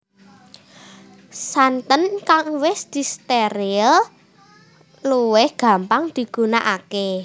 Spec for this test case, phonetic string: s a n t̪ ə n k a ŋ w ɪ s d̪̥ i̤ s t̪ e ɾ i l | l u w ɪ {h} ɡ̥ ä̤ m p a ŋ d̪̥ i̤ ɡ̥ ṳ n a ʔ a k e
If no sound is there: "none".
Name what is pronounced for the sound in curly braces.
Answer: h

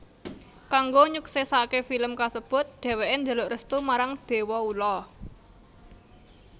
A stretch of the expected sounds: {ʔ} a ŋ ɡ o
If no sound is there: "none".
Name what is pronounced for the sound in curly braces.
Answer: k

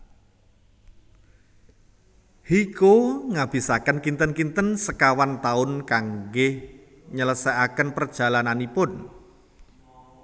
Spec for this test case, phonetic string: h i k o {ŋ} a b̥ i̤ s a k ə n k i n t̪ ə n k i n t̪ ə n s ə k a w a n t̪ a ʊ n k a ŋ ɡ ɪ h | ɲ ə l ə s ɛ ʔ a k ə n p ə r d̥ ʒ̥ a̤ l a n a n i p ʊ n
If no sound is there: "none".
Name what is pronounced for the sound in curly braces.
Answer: ŋ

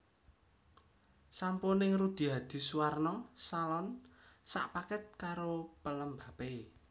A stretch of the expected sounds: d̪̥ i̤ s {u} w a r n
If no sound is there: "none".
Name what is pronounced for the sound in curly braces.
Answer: u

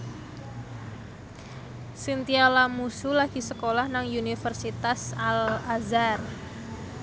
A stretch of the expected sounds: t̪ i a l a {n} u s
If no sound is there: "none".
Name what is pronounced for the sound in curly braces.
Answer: m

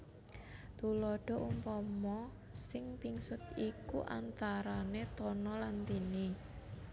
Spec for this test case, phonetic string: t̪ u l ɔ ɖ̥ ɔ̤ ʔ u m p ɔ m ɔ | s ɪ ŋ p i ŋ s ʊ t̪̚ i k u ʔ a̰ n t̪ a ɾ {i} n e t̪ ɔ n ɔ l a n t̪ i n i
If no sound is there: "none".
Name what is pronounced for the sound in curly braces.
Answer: a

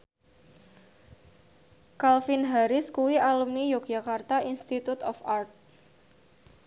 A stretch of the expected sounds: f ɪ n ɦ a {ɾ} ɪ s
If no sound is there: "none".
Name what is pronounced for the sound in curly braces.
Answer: ɾ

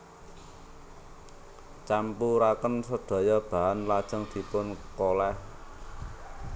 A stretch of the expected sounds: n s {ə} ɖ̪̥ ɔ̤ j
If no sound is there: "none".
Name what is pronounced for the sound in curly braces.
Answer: ə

